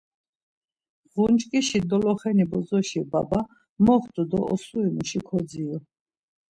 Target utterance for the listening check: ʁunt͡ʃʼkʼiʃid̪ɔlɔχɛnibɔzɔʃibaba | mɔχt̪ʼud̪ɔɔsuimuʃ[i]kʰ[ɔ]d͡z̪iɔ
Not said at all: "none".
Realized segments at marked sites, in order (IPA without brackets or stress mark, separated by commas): i, ɔ